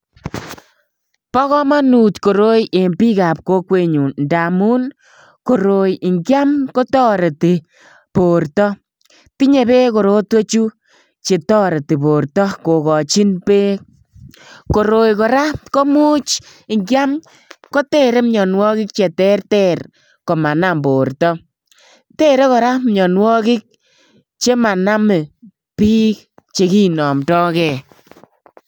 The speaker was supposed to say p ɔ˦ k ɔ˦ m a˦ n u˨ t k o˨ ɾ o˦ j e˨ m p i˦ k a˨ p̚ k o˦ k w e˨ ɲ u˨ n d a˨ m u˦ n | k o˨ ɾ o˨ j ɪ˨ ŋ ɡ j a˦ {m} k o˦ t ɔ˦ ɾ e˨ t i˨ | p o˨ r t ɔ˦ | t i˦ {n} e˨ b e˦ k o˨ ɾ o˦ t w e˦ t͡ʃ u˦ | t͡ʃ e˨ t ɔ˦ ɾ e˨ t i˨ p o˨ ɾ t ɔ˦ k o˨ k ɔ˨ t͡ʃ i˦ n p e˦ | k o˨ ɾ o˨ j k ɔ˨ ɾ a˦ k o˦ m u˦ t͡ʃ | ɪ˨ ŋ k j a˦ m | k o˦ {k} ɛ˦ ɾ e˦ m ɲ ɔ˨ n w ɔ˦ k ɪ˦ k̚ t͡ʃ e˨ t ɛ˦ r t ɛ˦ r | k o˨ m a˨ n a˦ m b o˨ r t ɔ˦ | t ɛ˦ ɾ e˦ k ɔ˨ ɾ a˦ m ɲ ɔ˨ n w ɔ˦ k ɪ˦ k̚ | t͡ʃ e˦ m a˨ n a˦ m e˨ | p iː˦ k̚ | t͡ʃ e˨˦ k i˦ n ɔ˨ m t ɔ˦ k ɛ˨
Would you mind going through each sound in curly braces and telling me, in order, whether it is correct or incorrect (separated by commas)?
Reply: correct, incorrect, incorrect